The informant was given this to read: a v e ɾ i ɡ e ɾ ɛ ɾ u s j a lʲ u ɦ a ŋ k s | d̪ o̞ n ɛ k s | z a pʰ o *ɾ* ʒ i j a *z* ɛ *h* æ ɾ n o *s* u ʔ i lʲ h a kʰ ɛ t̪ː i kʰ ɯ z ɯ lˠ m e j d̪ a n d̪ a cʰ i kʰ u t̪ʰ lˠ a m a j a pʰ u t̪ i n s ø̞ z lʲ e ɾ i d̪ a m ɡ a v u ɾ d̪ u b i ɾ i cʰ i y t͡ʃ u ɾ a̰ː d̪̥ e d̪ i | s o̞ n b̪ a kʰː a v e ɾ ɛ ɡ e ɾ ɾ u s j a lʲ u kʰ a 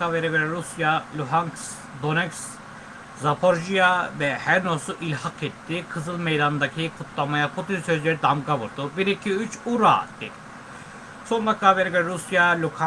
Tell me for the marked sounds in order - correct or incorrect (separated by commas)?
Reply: correct, incorrect, correct, correct